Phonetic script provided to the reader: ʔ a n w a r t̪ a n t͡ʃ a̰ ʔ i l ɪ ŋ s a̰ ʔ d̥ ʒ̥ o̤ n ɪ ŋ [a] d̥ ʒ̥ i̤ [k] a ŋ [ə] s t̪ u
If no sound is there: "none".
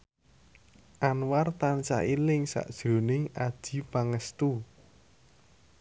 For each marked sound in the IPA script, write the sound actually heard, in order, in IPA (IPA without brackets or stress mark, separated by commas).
a, p, ə